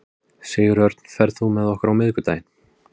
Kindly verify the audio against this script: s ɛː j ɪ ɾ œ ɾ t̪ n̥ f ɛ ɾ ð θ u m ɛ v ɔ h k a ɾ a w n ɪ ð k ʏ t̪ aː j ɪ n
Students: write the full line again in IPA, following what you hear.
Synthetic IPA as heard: s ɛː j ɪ ɾ œ ɾ t̪ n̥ f ɛ ɾ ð θ u m ɛ ð ɔ h k a ɾ a w m ɪ ð k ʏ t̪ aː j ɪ n

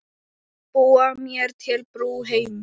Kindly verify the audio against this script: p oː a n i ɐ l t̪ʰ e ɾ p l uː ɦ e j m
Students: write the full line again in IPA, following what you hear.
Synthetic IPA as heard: p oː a m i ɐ ɾ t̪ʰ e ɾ p ɾ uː ɦ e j m

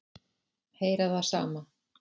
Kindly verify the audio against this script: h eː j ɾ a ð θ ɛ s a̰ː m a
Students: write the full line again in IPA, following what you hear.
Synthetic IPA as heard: h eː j ɾ a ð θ a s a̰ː m a

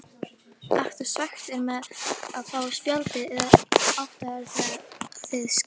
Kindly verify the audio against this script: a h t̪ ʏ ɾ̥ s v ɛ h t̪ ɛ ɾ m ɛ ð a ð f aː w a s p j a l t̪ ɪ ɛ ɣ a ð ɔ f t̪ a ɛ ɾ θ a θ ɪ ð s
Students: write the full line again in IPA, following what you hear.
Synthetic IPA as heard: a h t̪ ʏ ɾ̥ s v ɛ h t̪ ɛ ɾ m ɛ ð a ð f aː w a s p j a l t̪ ɪ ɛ ð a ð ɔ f t̪ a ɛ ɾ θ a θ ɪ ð s

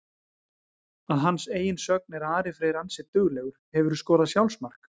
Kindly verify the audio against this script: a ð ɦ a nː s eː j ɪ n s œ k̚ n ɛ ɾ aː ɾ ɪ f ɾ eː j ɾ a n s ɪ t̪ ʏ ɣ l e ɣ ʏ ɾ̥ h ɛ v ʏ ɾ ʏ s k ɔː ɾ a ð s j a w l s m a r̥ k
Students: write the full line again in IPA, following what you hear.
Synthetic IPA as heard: a ð ɦ a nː s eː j ɪ n s œ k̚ n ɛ ɾ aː ɾ ɪ f ɾ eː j ɾ a n s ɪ t̪ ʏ ɣ l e ɣ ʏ ɾ̥ h ɛ v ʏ ɾ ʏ s k ɔː ɾ a ð s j a w l s m a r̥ k

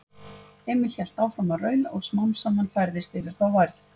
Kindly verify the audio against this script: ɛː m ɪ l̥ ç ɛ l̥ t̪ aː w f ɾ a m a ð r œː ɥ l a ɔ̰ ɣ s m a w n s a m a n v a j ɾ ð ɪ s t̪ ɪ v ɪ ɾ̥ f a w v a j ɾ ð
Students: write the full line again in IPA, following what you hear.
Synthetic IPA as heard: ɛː m ɪ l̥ ç ɛ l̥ t̪ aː w f ɾ a m a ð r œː ɥ l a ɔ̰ ɣ s m a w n s a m a n f a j ɾ ð ɪ s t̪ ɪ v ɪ ɾ̥ θ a w v a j ɾ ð

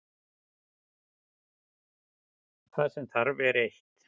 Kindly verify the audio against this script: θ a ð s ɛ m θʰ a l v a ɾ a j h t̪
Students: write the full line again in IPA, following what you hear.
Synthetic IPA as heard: θ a ð s ɛ m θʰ a ɾ v ɛ ɾ e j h t̪

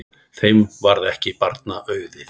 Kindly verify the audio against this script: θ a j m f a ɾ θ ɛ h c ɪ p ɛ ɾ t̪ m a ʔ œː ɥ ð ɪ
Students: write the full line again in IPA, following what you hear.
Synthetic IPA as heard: θ e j m v a ɾ ð ɛ h c ɪ p a ɾ t̪ n a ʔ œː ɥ ð ɪ

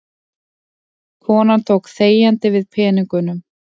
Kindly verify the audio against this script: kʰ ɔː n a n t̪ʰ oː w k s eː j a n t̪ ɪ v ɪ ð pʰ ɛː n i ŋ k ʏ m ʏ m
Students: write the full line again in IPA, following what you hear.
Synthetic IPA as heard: kʰ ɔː n a n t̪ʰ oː w k θ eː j a n t̪ ɪ v ɪ ð pʰ ɛː n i ŋ k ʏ n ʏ m

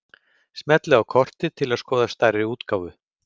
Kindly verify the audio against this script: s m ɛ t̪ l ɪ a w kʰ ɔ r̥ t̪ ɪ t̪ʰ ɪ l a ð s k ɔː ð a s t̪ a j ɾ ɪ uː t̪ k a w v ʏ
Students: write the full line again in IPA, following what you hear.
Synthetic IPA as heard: s m ɛ t̪ l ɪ a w kʰ ɔ r̥ t̪ ɪ t̪ʰ ɪ l a ð s k ɔː ð a s t̪ a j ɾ ɪ uː t̪ k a w v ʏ

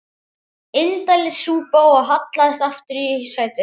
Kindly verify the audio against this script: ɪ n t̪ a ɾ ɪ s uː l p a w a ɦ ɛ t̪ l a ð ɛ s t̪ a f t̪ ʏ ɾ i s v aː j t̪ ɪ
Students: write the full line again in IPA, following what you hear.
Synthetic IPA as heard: ɪ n t̪ a l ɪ s uː p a w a ɦ a t̪ l a ð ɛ s t̪ a f t̪ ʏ ɾ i s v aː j t̪ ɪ

